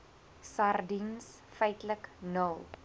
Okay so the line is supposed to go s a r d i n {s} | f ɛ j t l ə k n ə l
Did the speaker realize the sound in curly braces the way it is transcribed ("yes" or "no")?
yes